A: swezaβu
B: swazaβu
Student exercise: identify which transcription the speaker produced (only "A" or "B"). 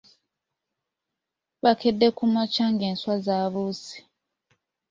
B